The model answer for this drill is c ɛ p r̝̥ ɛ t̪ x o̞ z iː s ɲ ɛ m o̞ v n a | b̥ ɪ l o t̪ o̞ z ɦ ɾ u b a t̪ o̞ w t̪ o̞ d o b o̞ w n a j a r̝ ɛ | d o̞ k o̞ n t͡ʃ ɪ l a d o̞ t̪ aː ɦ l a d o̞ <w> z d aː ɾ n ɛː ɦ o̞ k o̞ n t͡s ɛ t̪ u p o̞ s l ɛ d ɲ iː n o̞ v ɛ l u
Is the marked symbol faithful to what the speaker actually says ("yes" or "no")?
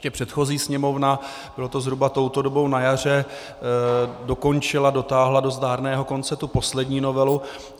no